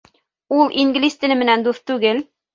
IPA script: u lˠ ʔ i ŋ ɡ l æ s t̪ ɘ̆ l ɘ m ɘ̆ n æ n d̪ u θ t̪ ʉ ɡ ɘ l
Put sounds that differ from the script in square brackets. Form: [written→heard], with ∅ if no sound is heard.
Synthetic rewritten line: u lˠ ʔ i ŋ ɡ l [æ→i] s t̪ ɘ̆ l ɘ m ɘ̆ n æ n d̪ u θ t̪ ʉ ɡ ɘ l

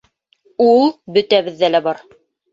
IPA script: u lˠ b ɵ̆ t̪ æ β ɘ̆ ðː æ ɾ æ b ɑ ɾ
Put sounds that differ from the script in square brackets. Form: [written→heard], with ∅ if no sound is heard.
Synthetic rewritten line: u lˠ b ɵ̆ t̪ æ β ɘ̆ ðː æ [ɾ→l] æ b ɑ ɾ

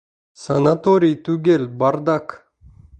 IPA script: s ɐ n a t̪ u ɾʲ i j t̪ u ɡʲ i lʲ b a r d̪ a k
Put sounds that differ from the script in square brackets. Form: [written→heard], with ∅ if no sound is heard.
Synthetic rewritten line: s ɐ n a t̪ [u→o] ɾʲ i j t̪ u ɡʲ [i→e] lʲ b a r d̪ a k

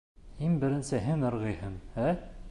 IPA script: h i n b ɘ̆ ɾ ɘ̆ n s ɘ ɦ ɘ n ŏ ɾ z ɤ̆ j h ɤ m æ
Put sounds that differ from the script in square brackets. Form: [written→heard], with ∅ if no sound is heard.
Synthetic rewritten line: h i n b ɘ̆ ɾ ɘ̆ n s ɘ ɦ ɘ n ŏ ɾ [z→ʁ] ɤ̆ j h ɤ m æ

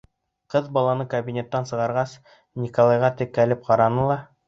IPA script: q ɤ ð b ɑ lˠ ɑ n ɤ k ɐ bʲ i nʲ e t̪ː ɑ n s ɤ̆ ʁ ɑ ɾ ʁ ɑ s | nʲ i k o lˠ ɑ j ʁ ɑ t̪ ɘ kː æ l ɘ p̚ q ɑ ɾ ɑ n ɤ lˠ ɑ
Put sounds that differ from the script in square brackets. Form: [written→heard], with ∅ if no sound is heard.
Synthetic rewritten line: q ɤ ð b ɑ lˠ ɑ n ɤ k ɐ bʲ i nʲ e t̪ː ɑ n s ɤ̆ ʁ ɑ ɾ ʁ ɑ s | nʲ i k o lˠ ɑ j ʁ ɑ t̪ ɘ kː æ l ɘ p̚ q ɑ ɾ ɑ n ɤ lˠ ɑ

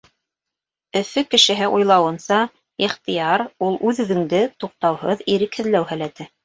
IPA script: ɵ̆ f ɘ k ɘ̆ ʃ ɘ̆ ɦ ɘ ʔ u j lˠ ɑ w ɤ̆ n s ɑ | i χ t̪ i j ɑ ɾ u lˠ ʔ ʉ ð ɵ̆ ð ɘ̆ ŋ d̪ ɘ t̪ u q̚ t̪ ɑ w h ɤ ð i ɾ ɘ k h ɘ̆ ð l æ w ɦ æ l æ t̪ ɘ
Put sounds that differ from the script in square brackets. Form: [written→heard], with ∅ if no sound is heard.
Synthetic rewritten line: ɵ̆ f ɘ k ɘ̆ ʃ ɘ̆ ɦ ɘ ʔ u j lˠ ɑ w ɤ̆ n s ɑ | i χ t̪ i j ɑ ɾ u lˠ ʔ ʉ ð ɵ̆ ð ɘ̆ ŋ d̪ ɘ t̪ u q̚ t̪ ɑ w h ɤ ð i ɾ ɘ k h ɘ̆ ð l æ w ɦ æ l æ t̪ ɘ

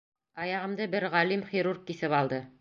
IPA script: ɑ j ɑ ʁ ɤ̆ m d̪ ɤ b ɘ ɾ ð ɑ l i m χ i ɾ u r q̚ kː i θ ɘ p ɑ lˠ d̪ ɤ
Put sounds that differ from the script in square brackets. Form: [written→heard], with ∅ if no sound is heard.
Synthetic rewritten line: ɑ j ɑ ʁ ɤ̆ m d̪ ɤ b ɘ ɾ [ð→ʁ] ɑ l i m χ i ɾ u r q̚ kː i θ ɘ p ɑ lˠ d̪ ɤ

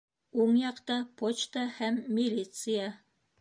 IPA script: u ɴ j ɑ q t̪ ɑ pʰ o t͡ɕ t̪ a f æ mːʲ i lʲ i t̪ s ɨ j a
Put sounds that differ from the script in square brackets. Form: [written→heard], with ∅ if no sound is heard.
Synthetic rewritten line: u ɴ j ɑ q t̪ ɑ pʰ o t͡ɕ t̪ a [f→h] æ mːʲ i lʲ i t̪ s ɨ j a

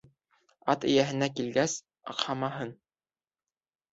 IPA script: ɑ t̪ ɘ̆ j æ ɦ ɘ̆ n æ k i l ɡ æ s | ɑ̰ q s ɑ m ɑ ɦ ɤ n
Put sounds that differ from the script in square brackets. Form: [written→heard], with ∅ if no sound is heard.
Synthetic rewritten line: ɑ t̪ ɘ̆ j æ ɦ ɘ̆ n æ k i l ɡ æ s | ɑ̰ q [s→h] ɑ m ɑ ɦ ɤ n

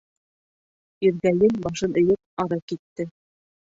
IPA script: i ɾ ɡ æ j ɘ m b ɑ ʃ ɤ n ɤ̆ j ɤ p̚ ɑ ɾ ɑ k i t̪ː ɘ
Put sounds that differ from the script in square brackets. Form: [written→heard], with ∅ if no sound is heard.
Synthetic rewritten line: i ɾ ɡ æ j ɘ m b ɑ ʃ ɤ n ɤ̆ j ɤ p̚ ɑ ɾ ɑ k i t̪ː ɘ

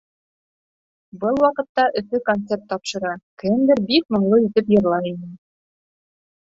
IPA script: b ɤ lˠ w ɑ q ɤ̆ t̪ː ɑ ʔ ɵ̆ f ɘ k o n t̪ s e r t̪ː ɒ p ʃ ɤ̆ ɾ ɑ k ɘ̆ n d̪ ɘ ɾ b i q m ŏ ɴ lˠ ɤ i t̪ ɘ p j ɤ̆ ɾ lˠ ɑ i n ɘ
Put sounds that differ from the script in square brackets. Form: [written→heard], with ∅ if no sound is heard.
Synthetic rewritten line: b ɤ lˠ w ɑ q ɤ̆ t̪ː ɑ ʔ ɵ̆ f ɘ k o n t̪ s e r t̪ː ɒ p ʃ ɤ̆ ɾ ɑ k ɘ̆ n d̪ ɘ ɾ b i [q→k] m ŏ ɴ lˠ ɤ i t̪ ɘ p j ɤ̆ ɾ lˠ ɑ i n ɘ

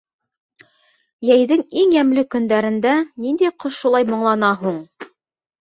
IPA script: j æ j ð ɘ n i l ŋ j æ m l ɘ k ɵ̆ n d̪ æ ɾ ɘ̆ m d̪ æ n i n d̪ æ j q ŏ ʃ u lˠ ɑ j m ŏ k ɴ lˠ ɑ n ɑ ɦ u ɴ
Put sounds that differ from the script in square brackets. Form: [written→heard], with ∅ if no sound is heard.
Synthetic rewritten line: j æ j ð ɘ [n→ŋ] i [l→∅] ŋ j æ m l ɘ k ɵ̆ n d̪ æ ɾ ɘ̆ [m→n] d̪ æ n i n d̪ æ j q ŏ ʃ u lˠ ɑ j m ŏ [k→∅] ɴ lˠ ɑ n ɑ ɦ u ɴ

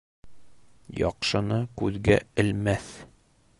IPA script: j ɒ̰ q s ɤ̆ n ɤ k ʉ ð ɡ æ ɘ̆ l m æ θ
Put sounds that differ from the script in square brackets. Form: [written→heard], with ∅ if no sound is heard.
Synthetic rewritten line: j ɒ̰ q [s→ʃ] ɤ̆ n ɤ k ʉ ð ɡ æ ɘ̆ l m æ θ

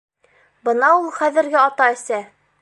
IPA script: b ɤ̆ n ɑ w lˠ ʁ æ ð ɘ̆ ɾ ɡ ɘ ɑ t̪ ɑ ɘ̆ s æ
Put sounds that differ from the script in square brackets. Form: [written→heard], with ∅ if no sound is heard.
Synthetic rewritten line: b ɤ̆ n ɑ [w→u] lˠ [ʁ→χ] æ ð ɘ̆ ɾ ɡ ɘ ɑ t̪ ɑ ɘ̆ s æ

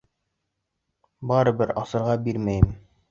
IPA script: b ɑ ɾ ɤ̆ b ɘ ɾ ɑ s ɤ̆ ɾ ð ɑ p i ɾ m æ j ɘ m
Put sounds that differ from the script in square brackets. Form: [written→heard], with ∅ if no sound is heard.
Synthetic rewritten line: b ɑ ɾ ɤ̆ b ɘ ɾ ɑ s ɤ̆ ɾ [ð→ʁ] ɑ [p→b] i ɾ m æ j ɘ m

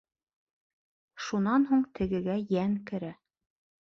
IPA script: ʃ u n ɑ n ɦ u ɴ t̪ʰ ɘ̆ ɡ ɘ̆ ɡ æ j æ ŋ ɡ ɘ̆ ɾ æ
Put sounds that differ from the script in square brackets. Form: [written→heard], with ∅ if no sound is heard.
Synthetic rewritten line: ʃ u n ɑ n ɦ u ɴ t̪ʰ ɘ̆ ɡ ɘ̆ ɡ æ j æ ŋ [ɡ→k] ɘ̆ ɾ æ

